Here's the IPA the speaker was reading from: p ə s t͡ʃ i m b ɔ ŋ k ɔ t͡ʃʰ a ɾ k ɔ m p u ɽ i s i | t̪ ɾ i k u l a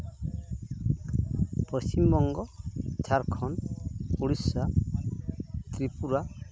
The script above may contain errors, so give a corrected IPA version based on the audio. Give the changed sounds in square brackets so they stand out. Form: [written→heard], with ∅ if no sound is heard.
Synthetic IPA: p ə s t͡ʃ i m b ɔ ŋ [k→ɡ] ɔ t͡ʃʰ a ɾ [k→kʰ] ɔ [m→n] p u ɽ i s [i→a] | t̪ ɾ i [k→p] u [l→ɾ] a